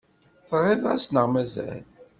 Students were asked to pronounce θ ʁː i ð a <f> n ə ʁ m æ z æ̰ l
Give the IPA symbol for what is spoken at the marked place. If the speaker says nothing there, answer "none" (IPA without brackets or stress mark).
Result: s